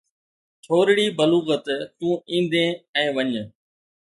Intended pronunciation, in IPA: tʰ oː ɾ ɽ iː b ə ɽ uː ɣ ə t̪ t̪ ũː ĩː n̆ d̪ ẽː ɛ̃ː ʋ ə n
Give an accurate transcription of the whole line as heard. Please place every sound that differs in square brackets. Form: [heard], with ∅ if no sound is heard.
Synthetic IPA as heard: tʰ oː ɾ ɽ iː b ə [l] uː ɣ ə t̪ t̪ ũː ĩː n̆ d̪ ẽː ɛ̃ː ʋ ə [ɲ]